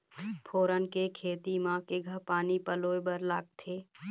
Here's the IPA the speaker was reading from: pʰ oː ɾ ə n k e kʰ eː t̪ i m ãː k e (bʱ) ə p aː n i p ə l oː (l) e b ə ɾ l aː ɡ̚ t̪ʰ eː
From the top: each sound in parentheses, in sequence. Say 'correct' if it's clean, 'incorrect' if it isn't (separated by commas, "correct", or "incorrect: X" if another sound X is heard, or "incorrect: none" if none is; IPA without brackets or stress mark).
incorrect: ɡʱ, incorrect: none